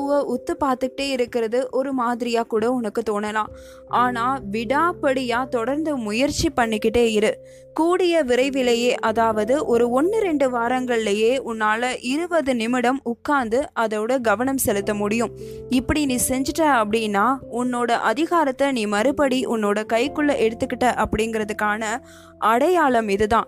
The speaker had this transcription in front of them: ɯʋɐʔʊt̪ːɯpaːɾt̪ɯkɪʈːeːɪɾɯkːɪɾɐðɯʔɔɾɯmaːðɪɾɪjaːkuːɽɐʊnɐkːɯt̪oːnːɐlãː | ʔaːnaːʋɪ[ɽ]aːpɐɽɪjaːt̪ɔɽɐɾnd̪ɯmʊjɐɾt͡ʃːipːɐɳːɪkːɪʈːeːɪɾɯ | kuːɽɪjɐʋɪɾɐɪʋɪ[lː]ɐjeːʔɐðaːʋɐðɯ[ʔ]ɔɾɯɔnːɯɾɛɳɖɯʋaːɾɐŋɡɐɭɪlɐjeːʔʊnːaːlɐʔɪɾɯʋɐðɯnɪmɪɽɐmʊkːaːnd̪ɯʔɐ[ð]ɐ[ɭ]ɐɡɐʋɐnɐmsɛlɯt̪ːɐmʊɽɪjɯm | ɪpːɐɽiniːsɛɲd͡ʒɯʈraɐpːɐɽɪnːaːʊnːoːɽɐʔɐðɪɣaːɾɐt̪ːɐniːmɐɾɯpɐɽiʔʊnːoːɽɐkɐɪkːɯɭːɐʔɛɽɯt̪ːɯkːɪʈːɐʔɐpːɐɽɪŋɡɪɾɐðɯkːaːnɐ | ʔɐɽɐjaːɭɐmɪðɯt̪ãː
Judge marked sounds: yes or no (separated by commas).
yes, no, yes, yes, no